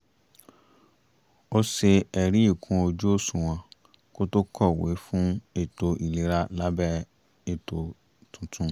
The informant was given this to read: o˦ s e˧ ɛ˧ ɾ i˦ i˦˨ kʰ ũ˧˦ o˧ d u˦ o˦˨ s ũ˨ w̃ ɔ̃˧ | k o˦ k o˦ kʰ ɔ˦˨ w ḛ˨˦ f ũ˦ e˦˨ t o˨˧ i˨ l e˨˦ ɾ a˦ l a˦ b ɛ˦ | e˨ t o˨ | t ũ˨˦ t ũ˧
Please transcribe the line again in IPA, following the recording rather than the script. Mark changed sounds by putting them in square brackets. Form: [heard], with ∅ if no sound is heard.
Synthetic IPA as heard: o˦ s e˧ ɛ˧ ɾ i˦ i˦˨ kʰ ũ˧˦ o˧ [d͡ʒ] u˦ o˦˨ s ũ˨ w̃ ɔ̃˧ | k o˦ [t] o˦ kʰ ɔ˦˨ w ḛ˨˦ f ũ˦ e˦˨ t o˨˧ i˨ l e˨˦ ɾ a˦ l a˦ b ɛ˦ | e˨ t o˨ | t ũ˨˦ t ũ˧

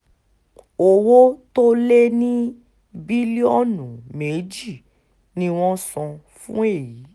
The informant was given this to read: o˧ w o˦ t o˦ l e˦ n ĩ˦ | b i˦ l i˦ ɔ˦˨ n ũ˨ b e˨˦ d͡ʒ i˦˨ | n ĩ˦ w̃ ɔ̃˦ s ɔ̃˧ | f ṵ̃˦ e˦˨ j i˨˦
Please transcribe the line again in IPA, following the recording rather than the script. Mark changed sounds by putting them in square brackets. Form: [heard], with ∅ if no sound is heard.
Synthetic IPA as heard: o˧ w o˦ t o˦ l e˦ n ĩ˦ | b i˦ l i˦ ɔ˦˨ n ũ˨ [m] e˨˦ d͡ʒ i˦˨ | n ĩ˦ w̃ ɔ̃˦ s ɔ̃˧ | f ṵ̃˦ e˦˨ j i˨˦

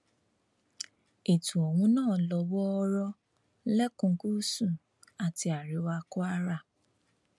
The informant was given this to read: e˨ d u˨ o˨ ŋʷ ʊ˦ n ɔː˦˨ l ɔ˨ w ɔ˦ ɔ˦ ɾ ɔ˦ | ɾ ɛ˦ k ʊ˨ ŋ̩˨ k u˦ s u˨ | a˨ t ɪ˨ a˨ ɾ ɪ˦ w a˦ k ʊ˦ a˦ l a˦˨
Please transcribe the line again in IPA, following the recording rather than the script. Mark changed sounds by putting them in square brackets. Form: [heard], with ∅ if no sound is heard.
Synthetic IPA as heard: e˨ [t] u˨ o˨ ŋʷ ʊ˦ n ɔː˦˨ l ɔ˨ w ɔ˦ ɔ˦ ɾ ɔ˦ | [l] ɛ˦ k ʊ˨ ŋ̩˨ k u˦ s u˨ | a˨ t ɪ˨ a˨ ɾ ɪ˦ w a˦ k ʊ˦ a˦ [ɾ] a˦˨

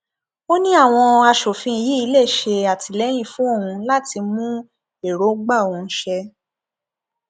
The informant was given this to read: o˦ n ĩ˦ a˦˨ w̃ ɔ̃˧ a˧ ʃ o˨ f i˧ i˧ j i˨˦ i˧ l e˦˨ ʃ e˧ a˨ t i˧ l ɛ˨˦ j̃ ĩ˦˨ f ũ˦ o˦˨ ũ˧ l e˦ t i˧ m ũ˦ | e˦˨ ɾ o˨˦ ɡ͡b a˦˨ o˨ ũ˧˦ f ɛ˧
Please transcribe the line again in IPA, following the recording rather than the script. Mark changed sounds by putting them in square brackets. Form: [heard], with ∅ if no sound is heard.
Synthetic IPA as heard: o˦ n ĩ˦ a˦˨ w̃ ɔ̃˧ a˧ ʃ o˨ f [ĩ˧] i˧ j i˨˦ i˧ l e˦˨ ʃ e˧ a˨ t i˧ l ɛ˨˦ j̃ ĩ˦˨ f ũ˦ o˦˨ ũ˧ l [a˦] t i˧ m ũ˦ | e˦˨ ɾ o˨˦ ɡ͡b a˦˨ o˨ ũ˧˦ [ʃ] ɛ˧

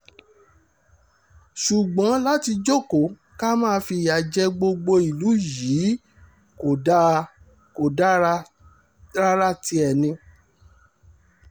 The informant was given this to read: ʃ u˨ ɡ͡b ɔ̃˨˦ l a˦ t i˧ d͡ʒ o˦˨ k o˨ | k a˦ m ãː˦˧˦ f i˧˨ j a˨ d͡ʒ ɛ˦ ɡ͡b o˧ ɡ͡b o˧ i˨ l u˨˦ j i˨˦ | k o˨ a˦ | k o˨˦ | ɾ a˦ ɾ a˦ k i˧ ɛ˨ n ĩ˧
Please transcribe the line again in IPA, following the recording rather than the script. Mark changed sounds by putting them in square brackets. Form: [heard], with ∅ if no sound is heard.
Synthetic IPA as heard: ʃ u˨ ɡ͡b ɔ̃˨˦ l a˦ t i˧ d͡ʒ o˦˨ k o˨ | k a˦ m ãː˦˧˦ f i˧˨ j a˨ d͡ʒ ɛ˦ ɡ͡b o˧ ɡ͡b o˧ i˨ l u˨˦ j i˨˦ | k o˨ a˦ | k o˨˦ | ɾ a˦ ɾ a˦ [t] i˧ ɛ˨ n ĩ˧

